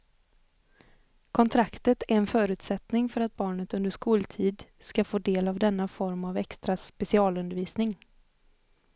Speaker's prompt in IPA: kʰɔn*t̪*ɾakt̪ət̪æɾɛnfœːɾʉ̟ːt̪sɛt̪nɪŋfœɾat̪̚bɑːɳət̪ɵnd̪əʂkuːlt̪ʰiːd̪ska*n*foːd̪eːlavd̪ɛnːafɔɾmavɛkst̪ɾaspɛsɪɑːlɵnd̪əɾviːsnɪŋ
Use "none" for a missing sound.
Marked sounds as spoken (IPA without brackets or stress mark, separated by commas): t̪ʰ, none